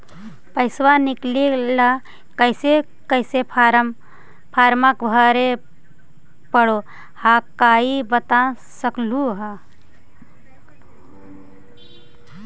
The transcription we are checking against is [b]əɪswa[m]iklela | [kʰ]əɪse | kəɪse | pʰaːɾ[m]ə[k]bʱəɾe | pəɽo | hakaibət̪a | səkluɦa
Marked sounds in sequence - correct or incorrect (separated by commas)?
incorrect, incorrect, incorrect, correct, correct